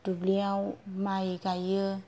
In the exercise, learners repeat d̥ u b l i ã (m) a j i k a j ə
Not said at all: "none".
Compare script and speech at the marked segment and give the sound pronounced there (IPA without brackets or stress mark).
m